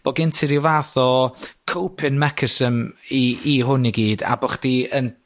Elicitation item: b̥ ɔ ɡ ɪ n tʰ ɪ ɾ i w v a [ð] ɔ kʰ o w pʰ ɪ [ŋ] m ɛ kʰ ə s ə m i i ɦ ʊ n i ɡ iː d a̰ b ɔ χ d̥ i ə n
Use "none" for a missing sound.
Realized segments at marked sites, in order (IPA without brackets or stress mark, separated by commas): θ, n